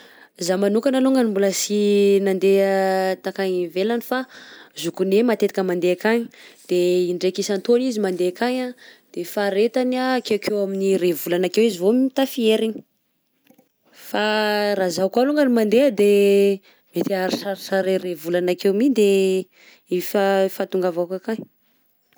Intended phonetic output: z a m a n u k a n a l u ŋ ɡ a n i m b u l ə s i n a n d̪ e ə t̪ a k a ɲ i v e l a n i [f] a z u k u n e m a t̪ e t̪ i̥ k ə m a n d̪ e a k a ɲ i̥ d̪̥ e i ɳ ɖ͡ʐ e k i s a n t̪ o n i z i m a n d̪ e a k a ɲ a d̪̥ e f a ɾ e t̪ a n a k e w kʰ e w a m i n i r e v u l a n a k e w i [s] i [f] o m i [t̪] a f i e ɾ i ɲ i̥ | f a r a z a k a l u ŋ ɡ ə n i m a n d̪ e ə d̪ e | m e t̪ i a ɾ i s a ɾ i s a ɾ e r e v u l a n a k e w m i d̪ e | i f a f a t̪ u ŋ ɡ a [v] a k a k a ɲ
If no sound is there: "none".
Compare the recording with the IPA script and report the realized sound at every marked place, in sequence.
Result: f, z, v, t̪, v

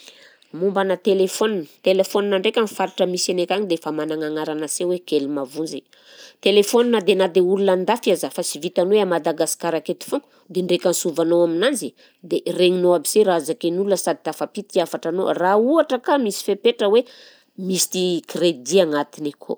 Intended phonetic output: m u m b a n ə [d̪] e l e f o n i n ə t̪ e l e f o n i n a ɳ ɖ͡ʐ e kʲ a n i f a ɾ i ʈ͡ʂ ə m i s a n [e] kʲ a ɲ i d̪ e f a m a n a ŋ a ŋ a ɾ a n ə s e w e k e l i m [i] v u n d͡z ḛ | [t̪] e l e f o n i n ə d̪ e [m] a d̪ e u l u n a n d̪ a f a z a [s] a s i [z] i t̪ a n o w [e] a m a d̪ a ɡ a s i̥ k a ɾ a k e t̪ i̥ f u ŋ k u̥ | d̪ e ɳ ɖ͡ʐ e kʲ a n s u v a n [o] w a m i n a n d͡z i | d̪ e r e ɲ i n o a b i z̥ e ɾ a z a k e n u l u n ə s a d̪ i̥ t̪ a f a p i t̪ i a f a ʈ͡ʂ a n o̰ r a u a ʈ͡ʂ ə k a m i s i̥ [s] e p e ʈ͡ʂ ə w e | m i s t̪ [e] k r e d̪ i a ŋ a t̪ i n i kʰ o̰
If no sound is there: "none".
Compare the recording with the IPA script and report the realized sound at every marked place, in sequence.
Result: t̪, e, a, t̪, n, f, v, e, o, f, i

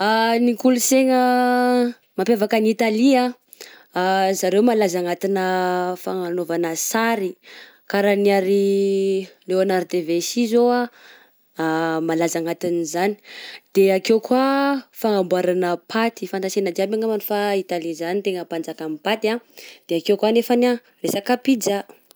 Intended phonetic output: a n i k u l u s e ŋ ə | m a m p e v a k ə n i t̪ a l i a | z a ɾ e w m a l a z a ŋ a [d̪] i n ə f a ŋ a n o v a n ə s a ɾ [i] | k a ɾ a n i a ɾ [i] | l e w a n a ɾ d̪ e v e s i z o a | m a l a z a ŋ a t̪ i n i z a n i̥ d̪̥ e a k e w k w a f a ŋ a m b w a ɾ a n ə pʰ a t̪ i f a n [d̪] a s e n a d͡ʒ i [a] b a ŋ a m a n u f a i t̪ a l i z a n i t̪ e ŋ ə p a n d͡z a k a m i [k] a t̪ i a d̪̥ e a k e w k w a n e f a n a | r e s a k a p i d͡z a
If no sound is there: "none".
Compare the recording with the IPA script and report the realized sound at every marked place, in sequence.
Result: t̪, i, i, t̪, a, p

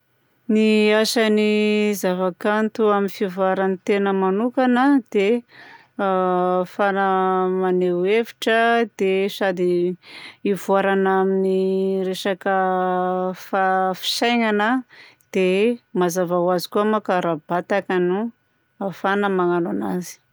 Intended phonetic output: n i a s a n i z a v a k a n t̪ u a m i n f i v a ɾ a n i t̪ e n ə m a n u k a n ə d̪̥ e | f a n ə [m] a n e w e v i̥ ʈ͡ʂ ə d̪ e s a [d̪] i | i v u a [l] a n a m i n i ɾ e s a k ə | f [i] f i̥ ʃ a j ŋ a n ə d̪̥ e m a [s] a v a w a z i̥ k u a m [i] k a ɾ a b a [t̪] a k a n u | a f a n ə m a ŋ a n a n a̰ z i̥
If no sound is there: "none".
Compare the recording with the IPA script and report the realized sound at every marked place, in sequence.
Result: m, d̪, ɾ, a, z, a, t̪

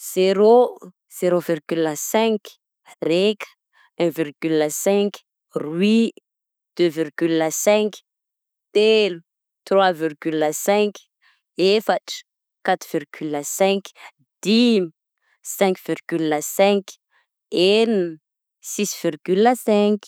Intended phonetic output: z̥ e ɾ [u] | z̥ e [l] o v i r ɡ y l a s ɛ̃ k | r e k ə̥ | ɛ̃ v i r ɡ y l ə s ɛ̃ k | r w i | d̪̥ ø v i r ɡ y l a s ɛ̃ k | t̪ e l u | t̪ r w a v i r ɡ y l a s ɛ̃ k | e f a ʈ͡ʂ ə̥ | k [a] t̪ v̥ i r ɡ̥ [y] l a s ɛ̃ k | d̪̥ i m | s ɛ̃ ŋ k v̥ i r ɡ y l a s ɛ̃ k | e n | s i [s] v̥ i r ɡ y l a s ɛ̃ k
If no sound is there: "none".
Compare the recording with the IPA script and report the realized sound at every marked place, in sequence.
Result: o, ɾ, a, y, s

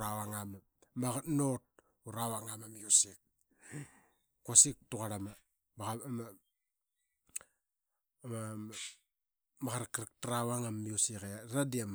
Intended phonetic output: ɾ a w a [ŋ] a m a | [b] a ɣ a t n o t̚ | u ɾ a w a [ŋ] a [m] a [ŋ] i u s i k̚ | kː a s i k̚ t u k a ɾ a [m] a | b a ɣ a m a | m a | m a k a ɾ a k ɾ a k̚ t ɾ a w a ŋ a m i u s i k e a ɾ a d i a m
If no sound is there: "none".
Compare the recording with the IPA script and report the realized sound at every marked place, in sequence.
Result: ŋ, m, ŋ, m, m, m

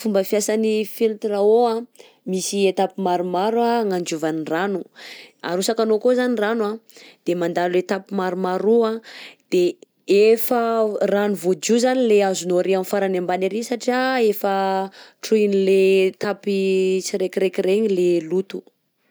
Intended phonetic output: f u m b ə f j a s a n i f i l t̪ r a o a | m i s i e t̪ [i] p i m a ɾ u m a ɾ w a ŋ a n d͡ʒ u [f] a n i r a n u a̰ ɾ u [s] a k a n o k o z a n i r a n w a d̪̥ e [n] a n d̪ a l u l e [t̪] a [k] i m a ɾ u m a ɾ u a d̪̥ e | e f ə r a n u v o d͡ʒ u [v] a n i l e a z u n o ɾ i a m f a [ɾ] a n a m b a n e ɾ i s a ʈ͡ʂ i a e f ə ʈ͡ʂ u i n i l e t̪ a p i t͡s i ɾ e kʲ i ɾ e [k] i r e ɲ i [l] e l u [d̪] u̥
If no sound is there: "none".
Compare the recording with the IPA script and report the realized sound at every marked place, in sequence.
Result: a, v, s, m, t̪, p, z, ɾ, k, l, t̪

